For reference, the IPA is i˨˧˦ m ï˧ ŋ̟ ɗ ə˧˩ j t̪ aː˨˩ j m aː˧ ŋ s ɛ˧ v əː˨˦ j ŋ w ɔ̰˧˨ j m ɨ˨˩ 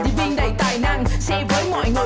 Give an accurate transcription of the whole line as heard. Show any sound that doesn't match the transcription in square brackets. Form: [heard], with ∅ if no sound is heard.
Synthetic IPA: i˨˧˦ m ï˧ ŋ̟ ɗ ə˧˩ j t̪ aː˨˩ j [n] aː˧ ŋ s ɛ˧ v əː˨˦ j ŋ w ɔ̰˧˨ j [ŋ] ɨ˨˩